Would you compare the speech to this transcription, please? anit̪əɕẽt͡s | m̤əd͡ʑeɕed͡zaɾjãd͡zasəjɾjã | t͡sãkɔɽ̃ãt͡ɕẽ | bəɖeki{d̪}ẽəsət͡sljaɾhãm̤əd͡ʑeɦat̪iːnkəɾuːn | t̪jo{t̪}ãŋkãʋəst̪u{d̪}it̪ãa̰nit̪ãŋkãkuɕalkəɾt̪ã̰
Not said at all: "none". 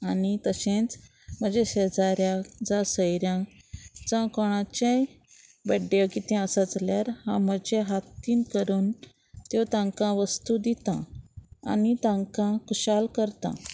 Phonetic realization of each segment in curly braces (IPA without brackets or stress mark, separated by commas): t̪, t̪, d̪